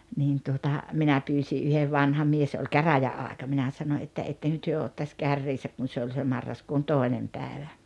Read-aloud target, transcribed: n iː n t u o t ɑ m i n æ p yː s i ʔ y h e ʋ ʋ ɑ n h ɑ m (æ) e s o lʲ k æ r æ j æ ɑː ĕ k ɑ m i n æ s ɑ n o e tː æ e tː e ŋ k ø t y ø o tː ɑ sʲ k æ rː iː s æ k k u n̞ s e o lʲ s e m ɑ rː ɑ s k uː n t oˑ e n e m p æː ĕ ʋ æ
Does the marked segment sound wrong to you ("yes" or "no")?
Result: yes